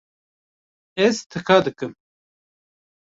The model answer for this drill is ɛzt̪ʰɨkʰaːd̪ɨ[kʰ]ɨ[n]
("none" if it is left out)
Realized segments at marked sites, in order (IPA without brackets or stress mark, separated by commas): k, m